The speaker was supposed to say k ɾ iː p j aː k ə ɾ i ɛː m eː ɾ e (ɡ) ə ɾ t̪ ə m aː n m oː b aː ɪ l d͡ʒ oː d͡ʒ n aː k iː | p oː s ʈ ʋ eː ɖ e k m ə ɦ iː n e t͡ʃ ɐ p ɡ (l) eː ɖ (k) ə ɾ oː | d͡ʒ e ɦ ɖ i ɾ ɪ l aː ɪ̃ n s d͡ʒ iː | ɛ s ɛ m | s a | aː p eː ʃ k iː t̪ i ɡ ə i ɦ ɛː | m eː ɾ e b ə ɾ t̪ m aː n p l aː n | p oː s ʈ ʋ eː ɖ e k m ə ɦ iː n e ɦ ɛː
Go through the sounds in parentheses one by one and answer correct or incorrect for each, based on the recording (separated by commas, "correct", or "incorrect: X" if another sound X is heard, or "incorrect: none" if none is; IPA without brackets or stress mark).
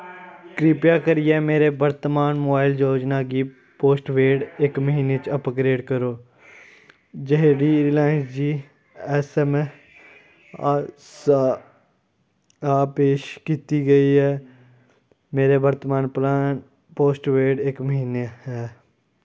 incorrect: b, incorrect: ɾ, correct